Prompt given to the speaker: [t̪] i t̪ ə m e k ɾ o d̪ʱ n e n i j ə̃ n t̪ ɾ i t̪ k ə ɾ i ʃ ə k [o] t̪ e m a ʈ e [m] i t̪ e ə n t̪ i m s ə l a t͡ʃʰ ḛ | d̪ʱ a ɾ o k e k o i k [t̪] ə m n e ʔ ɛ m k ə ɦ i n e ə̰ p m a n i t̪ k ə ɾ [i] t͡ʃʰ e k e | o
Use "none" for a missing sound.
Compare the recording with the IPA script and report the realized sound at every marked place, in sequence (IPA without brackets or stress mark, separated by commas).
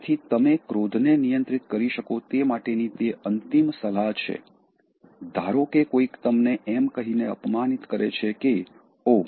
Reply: t̪ʰ, o, n, t̪, e